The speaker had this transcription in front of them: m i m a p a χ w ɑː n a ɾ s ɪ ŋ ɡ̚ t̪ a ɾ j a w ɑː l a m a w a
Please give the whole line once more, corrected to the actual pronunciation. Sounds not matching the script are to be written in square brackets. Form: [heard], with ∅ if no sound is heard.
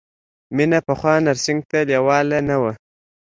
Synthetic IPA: m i [n] a p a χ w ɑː n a ɾ s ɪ ŋ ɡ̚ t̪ a [l] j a w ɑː l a [n] a w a